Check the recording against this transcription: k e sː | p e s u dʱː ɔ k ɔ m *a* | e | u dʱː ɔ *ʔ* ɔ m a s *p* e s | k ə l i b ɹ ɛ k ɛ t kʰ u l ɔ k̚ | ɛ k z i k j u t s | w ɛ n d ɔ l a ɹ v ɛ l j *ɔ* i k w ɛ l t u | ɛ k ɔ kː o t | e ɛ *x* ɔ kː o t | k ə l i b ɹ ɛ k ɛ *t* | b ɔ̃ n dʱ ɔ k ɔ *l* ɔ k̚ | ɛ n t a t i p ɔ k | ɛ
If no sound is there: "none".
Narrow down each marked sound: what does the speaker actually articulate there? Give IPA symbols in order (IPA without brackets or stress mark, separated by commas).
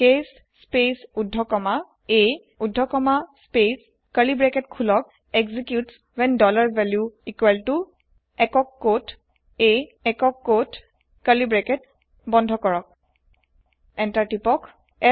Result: a, k, p, u, k, t, ɹ